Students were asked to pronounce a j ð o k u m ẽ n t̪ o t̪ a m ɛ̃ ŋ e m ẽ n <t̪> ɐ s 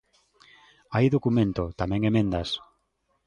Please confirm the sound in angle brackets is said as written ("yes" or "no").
no